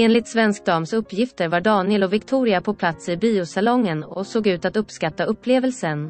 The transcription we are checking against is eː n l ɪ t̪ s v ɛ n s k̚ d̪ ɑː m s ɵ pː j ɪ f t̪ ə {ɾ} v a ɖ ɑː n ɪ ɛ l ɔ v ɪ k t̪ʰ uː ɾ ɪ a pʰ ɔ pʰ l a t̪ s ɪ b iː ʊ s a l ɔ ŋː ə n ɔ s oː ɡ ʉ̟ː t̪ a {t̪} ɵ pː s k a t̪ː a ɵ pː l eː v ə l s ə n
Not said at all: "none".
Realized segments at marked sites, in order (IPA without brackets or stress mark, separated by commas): ɾ, t̪